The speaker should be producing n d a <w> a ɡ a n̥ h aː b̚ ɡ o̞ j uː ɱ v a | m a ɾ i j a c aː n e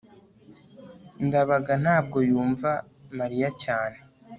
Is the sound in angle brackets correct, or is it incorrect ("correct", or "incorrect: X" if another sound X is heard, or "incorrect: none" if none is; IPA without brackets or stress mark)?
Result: incorrect: β